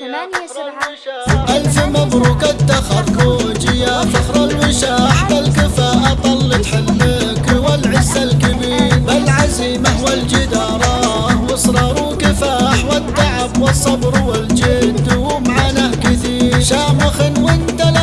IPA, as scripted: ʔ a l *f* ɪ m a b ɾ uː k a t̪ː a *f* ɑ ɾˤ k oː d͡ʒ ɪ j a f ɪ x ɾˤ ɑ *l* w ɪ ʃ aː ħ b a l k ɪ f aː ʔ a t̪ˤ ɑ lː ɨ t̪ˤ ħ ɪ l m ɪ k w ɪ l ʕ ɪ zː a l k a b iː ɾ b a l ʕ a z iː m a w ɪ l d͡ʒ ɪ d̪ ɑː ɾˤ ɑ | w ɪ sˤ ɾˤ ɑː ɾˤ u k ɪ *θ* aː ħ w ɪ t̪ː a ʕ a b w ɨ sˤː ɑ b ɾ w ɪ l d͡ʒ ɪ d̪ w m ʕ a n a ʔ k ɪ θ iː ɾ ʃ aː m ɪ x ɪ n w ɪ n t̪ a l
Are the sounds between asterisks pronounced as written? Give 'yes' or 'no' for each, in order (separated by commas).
yes, no, yes, no